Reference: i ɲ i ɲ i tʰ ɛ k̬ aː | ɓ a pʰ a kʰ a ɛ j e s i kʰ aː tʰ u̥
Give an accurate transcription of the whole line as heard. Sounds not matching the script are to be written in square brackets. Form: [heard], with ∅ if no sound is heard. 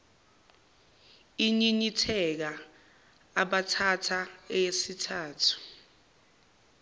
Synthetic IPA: i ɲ i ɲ i tʰ ɛ k̬ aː | ɓ a [tʰ] a [tʰ] a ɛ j e s i [tʰ] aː tʰ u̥